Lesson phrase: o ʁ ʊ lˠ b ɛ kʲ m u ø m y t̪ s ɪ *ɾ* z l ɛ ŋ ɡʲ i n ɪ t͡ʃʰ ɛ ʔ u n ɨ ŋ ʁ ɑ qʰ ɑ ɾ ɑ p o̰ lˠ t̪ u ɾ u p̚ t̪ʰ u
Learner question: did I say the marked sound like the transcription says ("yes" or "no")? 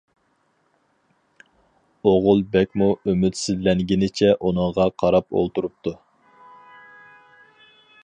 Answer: no